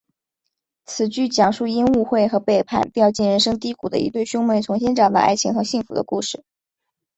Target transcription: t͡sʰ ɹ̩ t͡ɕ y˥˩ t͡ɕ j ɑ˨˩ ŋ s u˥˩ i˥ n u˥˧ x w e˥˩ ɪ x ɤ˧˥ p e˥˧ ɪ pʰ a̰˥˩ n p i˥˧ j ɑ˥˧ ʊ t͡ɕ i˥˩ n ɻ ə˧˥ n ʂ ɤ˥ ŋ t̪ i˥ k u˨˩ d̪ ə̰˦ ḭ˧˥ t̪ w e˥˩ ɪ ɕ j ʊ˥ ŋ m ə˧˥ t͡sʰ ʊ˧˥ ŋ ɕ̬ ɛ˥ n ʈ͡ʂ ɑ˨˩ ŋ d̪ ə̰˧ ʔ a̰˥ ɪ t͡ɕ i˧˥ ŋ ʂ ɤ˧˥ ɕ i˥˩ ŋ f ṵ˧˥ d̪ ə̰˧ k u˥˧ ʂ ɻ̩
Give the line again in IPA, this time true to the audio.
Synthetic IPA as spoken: t͡sʰ ɹ̩ t͡ɕ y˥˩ t͡ɕ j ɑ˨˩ ŋ ʂ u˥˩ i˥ n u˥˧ x w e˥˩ ɪ x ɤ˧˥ p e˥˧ ɪ pʰ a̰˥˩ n p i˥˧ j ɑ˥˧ ʊ t͡ɕ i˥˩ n ɻ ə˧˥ n ʂ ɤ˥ ŋ t̪ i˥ k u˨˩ d̪ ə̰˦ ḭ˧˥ t̪ w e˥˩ ɪ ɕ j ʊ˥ ŋ m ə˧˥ t͡sʰ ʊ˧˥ ŋ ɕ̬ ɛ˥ n ʈ͡ʂ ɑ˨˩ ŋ d̪ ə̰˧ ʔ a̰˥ ɪ t͡ɕʰ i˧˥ ŋ x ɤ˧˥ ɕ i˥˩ ŋ f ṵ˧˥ d̪ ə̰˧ k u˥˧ ʂ ɻ̩

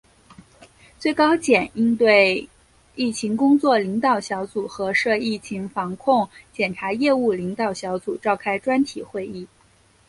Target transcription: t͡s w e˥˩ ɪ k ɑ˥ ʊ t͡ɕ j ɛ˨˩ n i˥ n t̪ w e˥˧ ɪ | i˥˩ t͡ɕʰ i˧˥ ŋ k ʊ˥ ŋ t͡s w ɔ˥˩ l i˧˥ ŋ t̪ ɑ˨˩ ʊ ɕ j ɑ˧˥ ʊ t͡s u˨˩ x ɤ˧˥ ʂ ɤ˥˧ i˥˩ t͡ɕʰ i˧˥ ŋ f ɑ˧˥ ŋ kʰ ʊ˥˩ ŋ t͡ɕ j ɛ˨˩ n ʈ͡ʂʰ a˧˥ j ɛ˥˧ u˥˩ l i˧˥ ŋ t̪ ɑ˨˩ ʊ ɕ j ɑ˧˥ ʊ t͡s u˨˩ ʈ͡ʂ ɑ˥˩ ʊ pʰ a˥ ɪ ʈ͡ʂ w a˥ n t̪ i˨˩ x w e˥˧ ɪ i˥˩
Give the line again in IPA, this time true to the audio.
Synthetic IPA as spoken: t͡s w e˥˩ ɪ k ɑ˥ ʊ t͡ɕ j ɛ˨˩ n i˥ n t̪ w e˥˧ ɪ | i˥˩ t͡ɕʰ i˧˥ ŋ k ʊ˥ ŋ t͡s w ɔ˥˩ l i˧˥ ŋ t̪ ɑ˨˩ ʊ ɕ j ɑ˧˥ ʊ t͡s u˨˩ x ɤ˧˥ ʂ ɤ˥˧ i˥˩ t͡ɕʰ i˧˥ ŋ f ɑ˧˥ ŋ kʰ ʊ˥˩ ŋ t͡ɕ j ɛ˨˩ n ʈ͡ʂʰ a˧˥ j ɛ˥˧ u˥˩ l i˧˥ ŋ t̪ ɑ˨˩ ʊ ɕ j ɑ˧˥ ʊ t͡s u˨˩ ʈ͡ʂ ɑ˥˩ ʊ kʰ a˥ ɪ ʈ͡ʂ w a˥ n t̪ʰ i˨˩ x w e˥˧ ɪ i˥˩

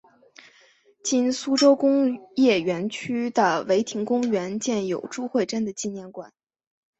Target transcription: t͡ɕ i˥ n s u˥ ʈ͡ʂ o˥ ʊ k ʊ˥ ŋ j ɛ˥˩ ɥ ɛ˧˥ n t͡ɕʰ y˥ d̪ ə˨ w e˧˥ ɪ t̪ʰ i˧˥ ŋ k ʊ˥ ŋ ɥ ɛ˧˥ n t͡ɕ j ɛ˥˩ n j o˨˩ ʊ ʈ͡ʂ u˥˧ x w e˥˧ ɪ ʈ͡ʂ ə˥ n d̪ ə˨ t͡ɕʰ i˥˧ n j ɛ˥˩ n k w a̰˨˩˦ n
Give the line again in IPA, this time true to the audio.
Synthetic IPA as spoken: t͡ɕ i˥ n s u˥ ʈ͡ʂ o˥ ʊ k ʊ˥ ŋ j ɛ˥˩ ɥ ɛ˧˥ n t͡ɕʰ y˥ d̪ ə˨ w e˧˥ ɪ t̪ʰ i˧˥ ŋ k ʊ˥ ŋ ɥ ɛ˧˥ n t͡ɕ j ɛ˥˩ n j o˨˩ ʊ ʈ͡ʂ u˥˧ x w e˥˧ ɪ ʈ͡ʂ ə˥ n d̪ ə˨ t͡ɕ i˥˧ n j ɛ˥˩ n k w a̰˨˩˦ n

